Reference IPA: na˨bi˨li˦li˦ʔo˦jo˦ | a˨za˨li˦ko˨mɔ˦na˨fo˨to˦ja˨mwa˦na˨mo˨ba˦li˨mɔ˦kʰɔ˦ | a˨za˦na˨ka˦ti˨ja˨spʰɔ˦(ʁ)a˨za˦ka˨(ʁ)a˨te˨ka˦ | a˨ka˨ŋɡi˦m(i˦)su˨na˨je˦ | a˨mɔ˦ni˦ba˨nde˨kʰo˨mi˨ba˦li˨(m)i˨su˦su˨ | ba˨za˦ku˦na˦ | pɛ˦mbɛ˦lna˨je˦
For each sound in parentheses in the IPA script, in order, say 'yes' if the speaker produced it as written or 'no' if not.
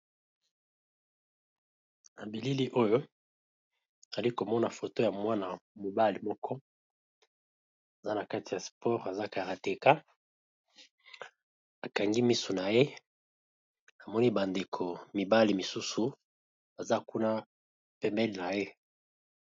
yes, yes, yes, yes

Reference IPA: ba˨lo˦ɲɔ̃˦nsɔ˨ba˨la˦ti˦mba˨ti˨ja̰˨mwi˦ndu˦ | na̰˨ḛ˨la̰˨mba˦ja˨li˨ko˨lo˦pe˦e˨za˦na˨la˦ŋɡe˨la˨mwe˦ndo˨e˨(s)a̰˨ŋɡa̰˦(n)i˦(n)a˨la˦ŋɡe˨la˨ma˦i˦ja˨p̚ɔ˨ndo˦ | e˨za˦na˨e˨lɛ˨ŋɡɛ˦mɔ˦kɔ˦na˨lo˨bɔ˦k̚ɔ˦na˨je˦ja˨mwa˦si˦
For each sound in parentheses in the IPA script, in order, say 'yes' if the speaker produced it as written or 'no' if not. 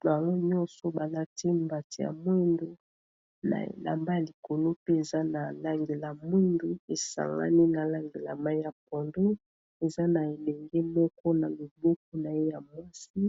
yes, yes, yes

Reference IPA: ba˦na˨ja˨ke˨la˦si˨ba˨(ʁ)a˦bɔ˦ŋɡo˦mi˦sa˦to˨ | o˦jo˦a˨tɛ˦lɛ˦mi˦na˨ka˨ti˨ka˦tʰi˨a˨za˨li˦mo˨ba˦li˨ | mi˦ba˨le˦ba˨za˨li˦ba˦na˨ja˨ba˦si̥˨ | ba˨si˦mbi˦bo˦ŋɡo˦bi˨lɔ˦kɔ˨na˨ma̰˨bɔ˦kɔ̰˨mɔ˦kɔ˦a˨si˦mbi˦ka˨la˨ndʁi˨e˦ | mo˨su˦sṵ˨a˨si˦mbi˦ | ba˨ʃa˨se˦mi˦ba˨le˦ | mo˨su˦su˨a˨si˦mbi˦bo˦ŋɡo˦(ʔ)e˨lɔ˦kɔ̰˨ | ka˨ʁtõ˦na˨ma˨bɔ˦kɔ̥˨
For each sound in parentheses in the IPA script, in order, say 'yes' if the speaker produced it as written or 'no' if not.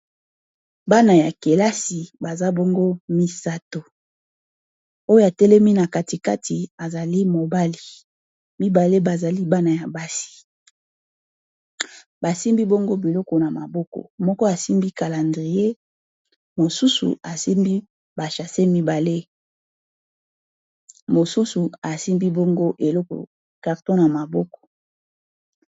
no, yes

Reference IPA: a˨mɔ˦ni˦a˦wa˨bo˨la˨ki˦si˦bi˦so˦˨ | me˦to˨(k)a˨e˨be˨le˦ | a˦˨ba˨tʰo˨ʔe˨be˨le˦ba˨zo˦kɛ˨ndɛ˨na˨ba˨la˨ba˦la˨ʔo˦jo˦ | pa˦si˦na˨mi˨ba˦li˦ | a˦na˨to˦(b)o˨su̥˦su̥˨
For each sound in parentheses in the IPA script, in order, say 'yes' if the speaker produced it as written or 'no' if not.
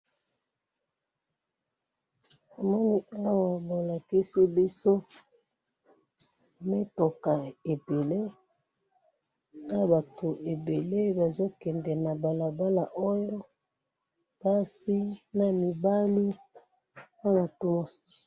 yes, no

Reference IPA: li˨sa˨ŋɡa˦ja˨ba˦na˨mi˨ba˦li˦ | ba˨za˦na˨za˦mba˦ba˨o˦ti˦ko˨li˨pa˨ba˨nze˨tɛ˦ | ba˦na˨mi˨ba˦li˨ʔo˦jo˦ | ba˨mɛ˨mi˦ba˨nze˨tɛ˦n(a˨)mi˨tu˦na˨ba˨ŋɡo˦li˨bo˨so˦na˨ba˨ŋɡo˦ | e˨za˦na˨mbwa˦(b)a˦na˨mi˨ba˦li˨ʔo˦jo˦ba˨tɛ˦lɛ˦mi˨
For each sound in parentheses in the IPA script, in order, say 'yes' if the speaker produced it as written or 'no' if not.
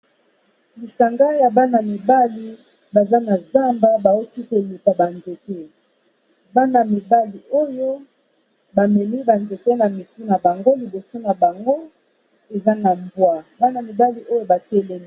yes, yes

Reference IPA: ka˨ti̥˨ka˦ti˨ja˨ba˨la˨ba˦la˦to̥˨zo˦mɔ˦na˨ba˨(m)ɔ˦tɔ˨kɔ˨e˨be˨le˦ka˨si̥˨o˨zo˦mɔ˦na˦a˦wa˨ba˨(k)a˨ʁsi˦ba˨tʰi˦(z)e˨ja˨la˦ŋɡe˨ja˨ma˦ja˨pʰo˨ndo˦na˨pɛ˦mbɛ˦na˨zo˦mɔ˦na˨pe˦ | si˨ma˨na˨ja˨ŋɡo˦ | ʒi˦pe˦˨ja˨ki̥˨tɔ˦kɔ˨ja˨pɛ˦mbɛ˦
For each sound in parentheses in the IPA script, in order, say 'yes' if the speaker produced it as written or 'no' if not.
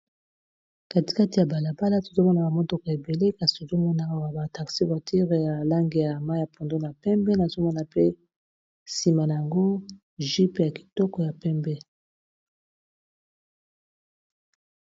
yes, no, no

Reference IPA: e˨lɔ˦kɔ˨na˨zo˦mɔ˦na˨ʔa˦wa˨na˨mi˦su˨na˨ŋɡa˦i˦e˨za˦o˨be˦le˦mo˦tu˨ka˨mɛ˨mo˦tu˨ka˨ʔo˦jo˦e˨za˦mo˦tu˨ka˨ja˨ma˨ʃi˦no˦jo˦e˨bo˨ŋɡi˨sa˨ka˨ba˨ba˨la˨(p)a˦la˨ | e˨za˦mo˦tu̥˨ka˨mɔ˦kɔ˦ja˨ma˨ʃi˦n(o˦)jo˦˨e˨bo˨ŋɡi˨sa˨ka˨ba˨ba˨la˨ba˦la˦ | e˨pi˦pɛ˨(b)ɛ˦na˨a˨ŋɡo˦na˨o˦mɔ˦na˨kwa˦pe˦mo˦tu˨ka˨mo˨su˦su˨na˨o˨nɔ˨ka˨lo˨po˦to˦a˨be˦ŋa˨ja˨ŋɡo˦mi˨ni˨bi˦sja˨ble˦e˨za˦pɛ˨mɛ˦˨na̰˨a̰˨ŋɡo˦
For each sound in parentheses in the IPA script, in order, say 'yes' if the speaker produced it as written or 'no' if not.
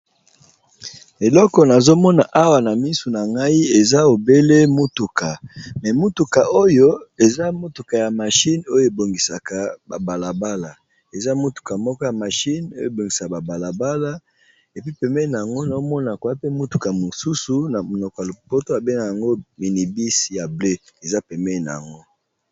no, yes, no

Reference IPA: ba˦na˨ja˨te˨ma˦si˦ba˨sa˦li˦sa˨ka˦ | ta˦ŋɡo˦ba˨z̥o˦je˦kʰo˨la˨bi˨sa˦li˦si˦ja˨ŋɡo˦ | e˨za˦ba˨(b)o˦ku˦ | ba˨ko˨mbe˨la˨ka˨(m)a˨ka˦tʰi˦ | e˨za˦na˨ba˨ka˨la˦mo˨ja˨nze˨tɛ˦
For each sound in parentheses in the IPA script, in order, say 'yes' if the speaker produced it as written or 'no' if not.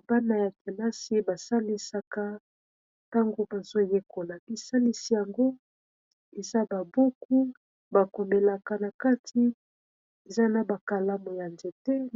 yes, no

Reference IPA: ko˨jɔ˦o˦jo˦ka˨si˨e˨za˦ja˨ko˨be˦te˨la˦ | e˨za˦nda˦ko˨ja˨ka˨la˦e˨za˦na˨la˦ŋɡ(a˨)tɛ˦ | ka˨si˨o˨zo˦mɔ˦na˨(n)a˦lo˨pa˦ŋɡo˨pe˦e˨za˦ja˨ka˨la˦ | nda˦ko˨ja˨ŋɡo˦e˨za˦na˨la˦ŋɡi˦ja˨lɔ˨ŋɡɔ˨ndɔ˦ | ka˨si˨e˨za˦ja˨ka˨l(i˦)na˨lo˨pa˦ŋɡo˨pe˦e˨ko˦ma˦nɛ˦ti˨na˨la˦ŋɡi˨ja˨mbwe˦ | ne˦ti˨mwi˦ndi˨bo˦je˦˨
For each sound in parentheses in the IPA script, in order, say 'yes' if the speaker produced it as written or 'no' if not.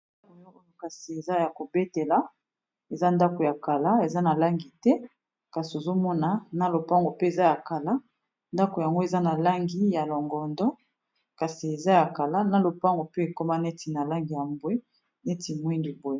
no, yes, no

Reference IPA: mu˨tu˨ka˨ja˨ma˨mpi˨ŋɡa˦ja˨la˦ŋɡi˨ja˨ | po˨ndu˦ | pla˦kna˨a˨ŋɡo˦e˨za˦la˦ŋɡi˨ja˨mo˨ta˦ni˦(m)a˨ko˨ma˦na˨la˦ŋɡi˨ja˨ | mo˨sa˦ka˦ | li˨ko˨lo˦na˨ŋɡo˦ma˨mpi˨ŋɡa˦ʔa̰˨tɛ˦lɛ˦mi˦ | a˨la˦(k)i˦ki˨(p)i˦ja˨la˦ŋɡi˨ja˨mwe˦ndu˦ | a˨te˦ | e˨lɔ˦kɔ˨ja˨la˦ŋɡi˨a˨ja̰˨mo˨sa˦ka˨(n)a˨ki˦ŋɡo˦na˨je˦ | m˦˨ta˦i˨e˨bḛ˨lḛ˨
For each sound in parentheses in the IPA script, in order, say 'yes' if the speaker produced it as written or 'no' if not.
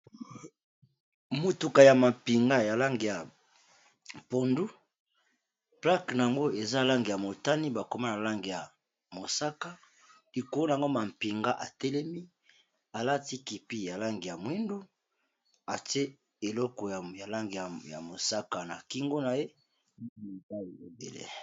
no, no, yes, yes

